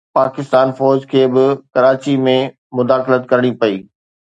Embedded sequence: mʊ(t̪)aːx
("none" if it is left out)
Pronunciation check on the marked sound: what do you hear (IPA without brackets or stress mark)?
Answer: d̪